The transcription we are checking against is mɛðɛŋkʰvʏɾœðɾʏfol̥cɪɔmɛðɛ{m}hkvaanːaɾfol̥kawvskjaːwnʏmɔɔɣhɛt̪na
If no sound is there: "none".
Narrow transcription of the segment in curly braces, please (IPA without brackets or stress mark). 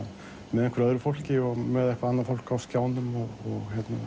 none